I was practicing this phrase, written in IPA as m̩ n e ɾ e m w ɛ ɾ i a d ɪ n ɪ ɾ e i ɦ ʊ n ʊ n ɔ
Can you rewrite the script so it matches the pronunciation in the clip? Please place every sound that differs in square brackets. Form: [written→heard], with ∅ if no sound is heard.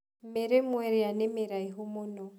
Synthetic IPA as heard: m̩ [n→m] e ɾ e m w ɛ ɾ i a [d→n] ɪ [n→m] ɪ ɾ [e→a] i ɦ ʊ [n→m] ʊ n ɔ